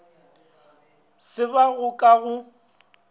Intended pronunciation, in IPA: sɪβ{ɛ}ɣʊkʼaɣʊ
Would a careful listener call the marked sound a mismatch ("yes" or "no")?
yes